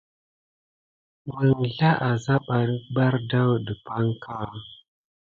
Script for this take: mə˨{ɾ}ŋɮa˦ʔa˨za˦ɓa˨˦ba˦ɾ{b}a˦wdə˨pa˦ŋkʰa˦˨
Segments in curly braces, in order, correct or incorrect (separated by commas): incorrect, incorrect